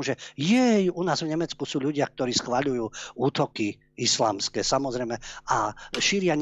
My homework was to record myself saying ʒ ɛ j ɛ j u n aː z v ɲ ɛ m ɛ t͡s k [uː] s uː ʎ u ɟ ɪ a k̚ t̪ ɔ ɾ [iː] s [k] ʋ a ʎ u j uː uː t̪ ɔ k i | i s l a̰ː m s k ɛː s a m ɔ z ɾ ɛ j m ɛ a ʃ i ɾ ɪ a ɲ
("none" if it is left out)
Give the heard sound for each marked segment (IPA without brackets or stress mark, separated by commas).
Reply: u, iː, x